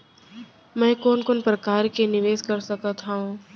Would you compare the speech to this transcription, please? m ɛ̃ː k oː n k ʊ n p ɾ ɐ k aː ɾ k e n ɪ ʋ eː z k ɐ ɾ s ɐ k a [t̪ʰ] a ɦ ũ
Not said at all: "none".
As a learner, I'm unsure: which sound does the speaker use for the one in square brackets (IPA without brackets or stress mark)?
t̪ʰ